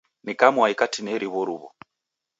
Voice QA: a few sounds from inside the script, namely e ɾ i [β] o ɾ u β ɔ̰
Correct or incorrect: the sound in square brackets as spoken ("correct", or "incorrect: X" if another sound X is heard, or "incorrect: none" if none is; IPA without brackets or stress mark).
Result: correct